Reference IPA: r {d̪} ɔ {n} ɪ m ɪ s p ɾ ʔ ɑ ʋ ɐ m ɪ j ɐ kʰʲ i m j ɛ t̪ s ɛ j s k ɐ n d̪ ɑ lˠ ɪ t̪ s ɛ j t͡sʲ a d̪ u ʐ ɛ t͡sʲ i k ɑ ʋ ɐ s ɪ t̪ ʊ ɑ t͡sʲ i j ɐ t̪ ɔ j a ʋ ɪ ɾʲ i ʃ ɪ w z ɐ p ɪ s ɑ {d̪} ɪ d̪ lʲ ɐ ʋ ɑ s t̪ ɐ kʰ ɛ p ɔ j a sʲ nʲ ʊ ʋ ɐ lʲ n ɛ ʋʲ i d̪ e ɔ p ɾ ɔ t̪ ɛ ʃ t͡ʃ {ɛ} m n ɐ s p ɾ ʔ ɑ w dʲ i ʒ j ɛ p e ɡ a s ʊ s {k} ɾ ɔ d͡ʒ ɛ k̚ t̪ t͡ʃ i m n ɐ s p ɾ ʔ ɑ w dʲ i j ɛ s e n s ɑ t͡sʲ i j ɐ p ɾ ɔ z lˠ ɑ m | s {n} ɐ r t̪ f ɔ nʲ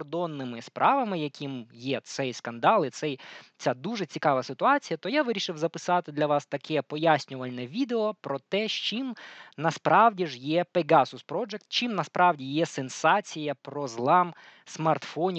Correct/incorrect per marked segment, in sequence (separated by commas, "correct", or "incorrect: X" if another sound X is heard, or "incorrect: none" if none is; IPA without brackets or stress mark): correct, incorrect: nː, incorrect: t̪, incorrect: i, incorrect: p, incorrect: m